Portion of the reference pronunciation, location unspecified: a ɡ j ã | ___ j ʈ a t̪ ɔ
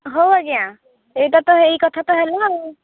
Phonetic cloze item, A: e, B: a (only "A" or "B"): A